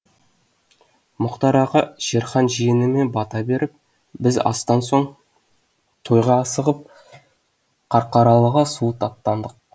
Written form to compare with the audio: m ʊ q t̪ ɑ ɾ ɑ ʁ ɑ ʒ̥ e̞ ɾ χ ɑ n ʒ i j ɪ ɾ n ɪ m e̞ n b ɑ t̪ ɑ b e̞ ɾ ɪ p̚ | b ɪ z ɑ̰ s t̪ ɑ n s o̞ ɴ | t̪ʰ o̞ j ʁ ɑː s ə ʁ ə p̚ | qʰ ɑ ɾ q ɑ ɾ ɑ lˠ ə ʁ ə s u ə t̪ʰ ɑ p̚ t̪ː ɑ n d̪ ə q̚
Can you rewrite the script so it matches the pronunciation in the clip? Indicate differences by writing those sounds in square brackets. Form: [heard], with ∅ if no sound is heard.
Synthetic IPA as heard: m ʊ q t̪ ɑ ɾ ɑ ʁ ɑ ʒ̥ e̞ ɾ χ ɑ n ʒ i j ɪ [∅] n ɪ m e̞ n b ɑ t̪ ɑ b e̞ ɾ ɪ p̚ | b ɪ z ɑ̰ s t̪ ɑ n s o̞ ɴ | t̪ʰ o̞ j ʁ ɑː s ə ʁ ə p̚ | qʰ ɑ ɾ q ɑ ɾ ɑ lˠ ə ʁ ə s u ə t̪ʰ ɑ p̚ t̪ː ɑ n d̪ ə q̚